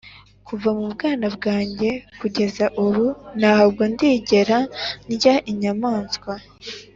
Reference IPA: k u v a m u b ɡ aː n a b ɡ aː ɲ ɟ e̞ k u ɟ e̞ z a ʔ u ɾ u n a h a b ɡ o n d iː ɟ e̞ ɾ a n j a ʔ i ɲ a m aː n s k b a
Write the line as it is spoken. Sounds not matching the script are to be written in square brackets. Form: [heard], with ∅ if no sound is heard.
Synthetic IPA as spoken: k u v a m u b ɡ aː n a b ɡ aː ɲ ɟ e̞ k u ɟ e̞ z a ʔ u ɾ u n a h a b ɡ o n d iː ɟ e̞ ɾ a n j a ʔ i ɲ a m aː n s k [w] a